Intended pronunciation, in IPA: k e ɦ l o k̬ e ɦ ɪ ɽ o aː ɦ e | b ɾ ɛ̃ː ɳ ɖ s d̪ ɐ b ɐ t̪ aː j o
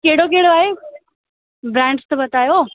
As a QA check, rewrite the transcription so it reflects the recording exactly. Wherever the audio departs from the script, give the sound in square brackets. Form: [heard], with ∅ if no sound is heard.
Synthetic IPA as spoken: k e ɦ [ɽ] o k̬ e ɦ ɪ ɽ o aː ɦ e | b ɾ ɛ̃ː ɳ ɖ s [t̪] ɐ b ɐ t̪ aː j o